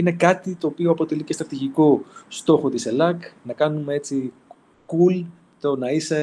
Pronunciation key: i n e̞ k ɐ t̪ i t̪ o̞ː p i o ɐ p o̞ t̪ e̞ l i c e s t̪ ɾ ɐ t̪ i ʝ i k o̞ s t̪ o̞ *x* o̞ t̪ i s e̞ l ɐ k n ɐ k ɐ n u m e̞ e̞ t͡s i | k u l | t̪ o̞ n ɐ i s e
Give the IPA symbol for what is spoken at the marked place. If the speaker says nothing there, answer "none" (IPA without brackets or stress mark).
x